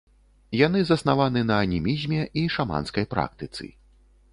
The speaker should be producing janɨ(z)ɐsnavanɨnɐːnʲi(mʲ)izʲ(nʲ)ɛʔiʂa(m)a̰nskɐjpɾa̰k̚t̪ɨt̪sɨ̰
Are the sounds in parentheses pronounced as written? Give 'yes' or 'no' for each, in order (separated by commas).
yes, yes, no, yes